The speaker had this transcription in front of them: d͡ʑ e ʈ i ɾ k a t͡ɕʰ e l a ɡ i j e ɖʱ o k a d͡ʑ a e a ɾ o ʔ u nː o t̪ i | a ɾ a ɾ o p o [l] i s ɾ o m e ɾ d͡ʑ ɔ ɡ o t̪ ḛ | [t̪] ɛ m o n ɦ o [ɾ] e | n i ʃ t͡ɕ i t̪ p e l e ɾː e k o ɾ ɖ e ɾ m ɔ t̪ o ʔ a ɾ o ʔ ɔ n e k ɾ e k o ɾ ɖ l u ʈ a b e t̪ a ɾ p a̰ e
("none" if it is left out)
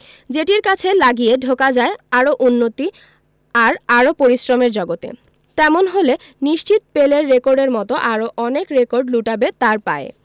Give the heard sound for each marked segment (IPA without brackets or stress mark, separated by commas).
ɾ, t̪, l